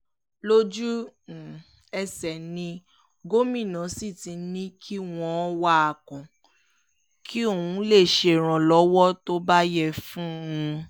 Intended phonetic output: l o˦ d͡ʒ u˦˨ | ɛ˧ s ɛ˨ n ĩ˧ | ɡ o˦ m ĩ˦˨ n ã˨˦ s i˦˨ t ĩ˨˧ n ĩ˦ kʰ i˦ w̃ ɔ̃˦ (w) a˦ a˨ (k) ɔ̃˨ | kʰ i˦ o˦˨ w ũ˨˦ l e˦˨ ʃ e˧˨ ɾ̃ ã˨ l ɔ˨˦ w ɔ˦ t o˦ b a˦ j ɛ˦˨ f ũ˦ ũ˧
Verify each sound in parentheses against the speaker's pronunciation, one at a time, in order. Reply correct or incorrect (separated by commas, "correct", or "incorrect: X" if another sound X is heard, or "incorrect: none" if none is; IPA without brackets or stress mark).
correct, correct